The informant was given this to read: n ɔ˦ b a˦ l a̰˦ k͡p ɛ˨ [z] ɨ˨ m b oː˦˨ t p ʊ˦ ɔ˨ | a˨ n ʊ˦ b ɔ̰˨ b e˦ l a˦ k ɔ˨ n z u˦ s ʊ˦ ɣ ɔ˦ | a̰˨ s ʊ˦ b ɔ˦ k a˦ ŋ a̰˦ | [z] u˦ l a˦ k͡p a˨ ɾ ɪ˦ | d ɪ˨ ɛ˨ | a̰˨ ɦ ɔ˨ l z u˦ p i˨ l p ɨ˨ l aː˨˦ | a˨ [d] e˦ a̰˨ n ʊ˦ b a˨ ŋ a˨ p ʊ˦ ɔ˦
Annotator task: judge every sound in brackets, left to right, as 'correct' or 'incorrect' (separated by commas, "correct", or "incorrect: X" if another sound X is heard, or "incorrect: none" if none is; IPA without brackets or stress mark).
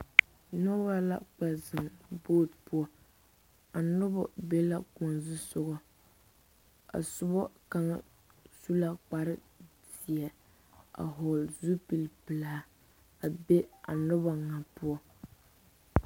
correct, incorrect: s, incorrect: b